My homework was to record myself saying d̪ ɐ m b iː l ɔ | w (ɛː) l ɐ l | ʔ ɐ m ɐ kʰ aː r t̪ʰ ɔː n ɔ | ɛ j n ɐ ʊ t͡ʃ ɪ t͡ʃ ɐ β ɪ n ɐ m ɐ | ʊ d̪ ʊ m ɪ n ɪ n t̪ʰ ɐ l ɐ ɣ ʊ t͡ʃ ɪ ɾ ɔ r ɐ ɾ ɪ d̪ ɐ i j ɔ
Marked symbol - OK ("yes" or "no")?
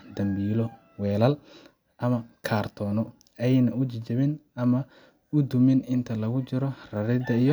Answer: yes